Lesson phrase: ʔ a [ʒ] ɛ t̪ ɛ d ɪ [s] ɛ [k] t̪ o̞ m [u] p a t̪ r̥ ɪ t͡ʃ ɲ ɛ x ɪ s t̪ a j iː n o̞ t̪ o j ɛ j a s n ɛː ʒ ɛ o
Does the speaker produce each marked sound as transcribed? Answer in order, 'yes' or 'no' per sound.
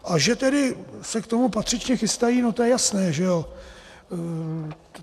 yes, yes, yes, yes

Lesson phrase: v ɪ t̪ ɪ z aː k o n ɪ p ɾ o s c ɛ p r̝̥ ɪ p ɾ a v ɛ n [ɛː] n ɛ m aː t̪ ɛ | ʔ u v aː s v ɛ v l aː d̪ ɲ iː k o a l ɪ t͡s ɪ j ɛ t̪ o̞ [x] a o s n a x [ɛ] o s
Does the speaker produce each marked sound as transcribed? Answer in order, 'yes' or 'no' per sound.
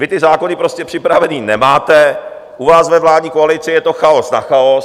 no, yes, no

